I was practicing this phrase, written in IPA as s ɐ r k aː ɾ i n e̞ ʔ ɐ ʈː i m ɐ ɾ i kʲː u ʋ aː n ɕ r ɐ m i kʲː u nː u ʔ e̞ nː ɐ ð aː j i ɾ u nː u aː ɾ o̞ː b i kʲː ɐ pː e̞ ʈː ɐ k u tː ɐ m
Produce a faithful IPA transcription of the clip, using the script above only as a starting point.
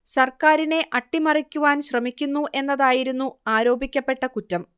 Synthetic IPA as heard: s ɐ r k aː ɾ i n e̞ ʔ ɐ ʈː i m ɐ r i kʲː u ʋ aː n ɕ r ɐ m i kʲː u nː u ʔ e̞ nː ɐ ð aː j i ɾ u nː u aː ɾ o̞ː b i kʲː ɐ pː e̞ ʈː ɐ k u tː ɐ m